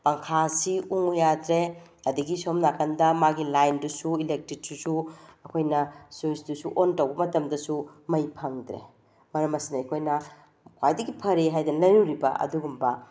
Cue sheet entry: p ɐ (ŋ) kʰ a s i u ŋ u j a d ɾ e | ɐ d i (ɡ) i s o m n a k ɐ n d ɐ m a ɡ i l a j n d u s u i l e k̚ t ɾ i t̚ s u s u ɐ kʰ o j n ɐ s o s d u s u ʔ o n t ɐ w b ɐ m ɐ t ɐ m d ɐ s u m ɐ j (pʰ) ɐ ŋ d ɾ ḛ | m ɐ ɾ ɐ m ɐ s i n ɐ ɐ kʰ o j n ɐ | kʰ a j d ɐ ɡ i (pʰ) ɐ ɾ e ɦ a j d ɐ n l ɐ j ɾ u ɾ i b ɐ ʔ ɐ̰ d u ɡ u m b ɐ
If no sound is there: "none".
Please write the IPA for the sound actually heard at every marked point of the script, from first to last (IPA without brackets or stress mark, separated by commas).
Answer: ŋ, ɡ, pʰ, pʰ